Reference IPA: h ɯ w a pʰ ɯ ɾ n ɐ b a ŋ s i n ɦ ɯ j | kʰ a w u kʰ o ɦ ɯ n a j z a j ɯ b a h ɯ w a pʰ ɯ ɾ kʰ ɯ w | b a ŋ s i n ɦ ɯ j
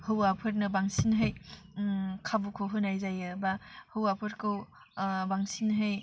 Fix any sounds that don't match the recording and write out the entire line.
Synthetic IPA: h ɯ w a pʰ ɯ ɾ n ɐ b a ŋ s i n ɦ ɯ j | kʰ a b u kʰ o ɦ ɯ n a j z a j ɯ b a h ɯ w a pʰ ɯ ɾ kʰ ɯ w | b a ŋ s i n ɦ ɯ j